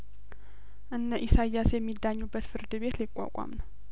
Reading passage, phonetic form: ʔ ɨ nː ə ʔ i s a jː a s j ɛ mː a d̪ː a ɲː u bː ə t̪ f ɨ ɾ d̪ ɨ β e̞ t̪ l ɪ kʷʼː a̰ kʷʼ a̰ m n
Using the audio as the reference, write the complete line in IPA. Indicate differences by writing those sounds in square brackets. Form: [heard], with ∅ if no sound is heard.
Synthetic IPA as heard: ʔ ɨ nː ə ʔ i s a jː a s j ɛ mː [i] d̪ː a ɲː u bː ə t̪ f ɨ ɾ d̪ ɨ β e̞ t̪ l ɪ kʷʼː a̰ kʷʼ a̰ m n